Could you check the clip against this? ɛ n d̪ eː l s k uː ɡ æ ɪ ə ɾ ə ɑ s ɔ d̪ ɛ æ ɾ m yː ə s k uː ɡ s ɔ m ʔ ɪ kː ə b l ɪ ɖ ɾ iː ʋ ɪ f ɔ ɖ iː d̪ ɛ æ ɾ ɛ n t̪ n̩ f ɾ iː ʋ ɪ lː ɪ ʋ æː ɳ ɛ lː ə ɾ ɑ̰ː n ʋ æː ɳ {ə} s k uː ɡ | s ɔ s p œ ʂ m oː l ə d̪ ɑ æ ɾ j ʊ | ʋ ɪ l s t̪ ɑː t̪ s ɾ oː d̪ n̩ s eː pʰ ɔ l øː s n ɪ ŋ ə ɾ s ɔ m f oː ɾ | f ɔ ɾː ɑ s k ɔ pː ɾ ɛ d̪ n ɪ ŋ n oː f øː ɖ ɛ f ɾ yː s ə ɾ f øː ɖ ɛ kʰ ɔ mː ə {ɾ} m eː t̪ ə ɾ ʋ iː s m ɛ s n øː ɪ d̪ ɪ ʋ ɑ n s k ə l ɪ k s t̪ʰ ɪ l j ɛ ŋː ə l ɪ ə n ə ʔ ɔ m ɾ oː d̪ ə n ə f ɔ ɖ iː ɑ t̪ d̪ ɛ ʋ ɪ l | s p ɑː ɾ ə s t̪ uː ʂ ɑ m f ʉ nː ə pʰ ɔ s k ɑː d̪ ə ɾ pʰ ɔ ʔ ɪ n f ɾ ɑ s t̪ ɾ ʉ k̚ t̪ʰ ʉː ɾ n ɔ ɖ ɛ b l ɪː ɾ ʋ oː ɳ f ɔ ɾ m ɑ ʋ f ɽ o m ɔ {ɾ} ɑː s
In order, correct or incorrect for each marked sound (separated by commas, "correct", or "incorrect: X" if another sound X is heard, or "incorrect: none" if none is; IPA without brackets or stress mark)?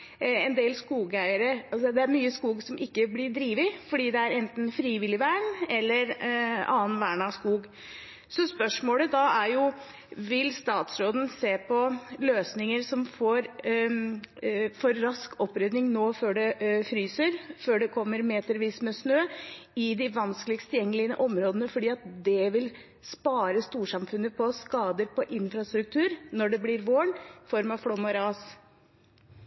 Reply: incorrect: ɑ, correct, correct